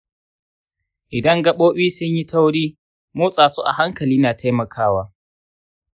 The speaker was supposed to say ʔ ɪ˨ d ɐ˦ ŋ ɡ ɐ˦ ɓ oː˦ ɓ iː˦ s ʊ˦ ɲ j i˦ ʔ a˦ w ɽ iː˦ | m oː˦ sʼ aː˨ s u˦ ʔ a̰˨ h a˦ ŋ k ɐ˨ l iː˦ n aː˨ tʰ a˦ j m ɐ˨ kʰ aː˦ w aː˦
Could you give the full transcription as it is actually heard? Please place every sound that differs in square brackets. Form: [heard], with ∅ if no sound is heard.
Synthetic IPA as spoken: ʔ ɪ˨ d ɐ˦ ŋ ɡ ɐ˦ ɓ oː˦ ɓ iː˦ s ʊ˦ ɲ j i˦ [t] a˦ w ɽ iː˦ | m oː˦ sʼ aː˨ s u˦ ʔ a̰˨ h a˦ ŋ k ɐ˨ l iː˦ n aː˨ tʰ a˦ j m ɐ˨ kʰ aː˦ w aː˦